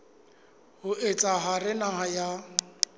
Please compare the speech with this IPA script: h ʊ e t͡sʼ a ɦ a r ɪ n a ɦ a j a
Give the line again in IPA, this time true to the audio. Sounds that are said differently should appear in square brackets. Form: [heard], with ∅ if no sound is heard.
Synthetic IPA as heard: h ʊ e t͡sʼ a ɦ a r ɪ n a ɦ a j a